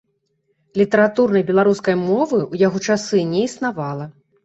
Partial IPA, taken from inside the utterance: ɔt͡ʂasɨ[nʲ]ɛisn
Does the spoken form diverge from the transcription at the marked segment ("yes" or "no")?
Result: no